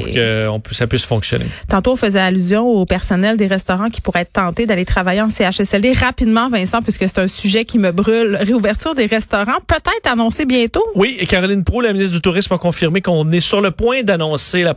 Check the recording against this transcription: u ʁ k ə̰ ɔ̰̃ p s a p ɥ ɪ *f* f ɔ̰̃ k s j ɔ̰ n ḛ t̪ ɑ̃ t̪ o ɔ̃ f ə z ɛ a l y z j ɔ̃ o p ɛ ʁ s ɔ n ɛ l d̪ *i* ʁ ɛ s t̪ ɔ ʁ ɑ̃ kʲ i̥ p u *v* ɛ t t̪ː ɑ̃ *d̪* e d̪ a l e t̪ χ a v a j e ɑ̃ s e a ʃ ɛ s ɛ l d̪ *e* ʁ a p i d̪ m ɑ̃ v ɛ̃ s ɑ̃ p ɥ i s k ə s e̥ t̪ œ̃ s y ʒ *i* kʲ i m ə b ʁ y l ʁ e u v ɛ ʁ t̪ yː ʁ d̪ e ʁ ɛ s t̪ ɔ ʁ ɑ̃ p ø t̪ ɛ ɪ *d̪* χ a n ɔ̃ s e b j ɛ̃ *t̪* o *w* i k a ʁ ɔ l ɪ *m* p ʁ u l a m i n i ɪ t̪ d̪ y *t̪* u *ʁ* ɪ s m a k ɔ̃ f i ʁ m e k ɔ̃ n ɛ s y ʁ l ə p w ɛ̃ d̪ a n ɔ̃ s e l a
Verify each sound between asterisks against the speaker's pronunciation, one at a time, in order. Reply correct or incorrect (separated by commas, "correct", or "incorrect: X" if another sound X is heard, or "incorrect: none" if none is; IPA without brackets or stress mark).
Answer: incorrect: s, incorrect: e, incorrect: ʁ, incorrect: t̪, correct, incorrect: ɛ, incorrect: t̪, correct, correct, incorrect: n, correct, correct